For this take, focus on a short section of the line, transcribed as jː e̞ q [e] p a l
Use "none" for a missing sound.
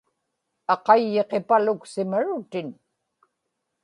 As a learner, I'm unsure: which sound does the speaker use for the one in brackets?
e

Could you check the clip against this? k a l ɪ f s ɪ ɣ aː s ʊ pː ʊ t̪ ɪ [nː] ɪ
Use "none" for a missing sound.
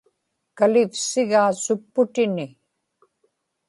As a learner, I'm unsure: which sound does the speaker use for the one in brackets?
n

